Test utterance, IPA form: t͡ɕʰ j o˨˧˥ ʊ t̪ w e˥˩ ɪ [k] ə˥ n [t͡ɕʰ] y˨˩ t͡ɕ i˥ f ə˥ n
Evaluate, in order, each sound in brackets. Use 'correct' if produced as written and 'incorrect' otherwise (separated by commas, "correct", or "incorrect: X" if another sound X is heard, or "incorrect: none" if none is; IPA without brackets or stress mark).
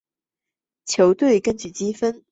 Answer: correct, incorrect: t͡ɕ